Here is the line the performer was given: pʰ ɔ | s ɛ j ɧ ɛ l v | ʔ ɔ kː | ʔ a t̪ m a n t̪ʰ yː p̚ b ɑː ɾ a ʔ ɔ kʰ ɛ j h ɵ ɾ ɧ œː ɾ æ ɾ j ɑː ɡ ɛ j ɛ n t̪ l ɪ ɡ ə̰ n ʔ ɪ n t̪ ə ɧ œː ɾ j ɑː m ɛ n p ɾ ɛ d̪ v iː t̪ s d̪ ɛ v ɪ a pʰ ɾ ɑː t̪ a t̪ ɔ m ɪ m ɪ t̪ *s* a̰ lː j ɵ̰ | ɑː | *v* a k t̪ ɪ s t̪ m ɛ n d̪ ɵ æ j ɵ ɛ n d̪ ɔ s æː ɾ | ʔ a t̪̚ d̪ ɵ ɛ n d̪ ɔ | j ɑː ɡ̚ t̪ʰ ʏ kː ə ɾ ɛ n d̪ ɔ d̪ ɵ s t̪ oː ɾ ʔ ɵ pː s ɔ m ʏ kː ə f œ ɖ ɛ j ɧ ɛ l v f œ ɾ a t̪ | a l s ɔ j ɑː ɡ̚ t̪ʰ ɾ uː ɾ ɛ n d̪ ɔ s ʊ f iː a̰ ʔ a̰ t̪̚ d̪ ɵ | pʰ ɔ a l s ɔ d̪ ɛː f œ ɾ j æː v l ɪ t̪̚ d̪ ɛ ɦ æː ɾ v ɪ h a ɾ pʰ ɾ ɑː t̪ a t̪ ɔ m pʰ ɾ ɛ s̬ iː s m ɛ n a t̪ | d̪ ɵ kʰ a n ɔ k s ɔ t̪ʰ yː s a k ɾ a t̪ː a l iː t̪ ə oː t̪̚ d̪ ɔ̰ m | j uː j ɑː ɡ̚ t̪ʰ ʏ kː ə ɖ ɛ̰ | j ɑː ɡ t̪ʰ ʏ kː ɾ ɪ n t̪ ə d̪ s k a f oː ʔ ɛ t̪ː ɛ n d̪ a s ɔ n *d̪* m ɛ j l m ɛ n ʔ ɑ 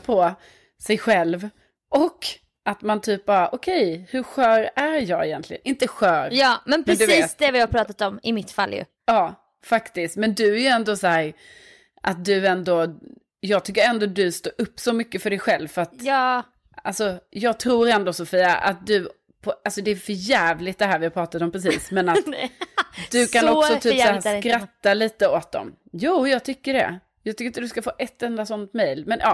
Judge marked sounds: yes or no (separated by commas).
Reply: no, no, no